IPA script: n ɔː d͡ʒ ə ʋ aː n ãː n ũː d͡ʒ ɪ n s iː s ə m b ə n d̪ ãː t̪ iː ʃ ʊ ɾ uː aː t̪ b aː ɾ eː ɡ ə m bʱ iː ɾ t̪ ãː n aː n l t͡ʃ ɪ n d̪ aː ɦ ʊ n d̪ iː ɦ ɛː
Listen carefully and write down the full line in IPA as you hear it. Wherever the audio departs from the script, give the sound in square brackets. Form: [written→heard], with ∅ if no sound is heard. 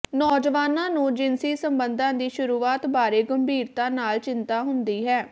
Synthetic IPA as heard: n ɔː d͡ʒ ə ʋ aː n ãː n ũː d͡ʒ ɪ n s iː s ə m b ə n d̪ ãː [t̪→d̪] iː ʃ ʊ ɾ uː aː t̪ b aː ɾ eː ɡ ə m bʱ iː ɾ t̪ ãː n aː [n→∅] l t͡ʃ ɪ n [d̪→t̪] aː ɦ ʊ n d̪ iː ɦ ɛː